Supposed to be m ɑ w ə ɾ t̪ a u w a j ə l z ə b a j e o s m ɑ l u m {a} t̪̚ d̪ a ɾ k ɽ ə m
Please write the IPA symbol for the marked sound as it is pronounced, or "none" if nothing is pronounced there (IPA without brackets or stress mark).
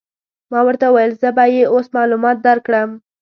ɑ